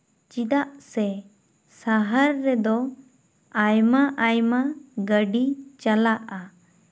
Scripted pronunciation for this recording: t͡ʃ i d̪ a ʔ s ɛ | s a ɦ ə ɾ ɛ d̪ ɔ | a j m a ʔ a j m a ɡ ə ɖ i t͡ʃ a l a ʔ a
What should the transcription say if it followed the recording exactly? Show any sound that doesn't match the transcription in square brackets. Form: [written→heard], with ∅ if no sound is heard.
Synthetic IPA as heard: t͡ʃ i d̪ a ʔ s ɛ | s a ɦ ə [ɾ→ɾː] ɛ d̪ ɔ | a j m a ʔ a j m a ɡ ə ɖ i t͡ʃ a l a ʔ a